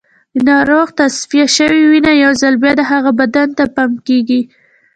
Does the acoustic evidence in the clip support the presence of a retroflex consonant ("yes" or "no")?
no